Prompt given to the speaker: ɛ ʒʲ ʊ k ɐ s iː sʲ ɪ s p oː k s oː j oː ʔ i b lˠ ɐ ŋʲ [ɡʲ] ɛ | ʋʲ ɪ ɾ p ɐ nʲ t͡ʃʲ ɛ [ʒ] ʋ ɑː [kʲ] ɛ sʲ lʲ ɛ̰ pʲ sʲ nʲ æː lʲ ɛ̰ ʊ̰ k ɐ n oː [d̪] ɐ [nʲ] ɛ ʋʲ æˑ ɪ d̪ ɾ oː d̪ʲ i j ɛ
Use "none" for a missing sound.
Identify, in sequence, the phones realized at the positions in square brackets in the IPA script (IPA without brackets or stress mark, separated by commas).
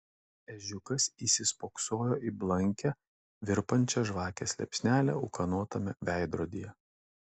kʲ, ʒ, kʲ, t̪, mʲ